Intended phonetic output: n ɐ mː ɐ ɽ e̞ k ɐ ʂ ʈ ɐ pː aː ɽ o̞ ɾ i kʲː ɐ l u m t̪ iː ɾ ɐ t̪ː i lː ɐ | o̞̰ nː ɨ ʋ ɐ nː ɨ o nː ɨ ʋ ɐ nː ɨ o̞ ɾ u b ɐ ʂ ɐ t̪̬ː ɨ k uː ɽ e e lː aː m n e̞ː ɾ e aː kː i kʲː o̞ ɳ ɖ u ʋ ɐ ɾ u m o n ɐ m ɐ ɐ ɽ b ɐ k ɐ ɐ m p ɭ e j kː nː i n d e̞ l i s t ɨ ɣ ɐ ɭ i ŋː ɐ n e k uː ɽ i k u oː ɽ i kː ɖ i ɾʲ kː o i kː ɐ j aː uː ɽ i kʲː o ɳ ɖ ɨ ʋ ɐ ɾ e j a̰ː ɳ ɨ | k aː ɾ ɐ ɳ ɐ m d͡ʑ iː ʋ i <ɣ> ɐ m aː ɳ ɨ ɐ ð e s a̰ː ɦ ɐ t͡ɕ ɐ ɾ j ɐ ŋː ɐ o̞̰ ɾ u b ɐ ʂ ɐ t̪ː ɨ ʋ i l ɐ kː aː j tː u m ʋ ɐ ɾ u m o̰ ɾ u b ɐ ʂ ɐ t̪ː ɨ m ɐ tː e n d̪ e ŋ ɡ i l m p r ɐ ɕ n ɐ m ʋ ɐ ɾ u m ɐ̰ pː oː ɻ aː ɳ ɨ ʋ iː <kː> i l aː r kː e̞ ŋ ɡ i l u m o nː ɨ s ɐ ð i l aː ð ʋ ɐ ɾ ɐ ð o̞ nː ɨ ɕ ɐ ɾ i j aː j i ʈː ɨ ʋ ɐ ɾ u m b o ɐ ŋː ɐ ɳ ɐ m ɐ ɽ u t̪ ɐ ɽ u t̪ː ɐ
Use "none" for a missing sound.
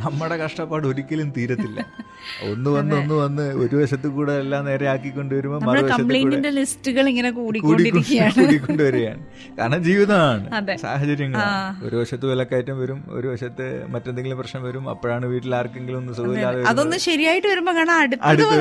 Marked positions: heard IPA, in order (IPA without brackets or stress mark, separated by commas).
ð, ʈː